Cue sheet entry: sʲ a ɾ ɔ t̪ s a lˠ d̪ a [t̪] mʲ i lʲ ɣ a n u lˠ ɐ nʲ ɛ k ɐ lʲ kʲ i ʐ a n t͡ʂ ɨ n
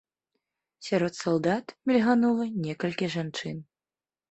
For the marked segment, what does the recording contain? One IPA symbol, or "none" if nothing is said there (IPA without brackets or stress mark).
t̪